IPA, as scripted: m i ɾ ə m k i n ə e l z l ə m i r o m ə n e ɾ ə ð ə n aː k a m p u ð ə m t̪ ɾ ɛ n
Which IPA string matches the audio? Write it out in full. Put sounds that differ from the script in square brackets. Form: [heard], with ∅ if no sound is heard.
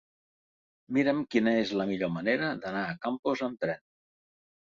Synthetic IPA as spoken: m i ɾ ə m k i n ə e [∅] z l ə m i [ʎ] o m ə n e ɾ ə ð ə n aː k a m p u [z] ə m t̪ ɾ ɛ n